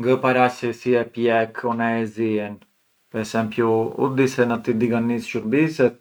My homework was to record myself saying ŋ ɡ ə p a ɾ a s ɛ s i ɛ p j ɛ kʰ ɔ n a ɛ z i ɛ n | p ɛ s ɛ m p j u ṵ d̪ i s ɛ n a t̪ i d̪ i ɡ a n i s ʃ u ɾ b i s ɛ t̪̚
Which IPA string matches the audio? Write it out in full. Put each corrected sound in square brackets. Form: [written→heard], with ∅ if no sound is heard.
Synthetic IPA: ŋ ɡ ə p a ɾ a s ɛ s i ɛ p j ɛ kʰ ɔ n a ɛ z i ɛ n | p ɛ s ɛ m p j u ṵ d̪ i s ɛ n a t̪ i d̪ i ɡ a n i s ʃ u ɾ b i s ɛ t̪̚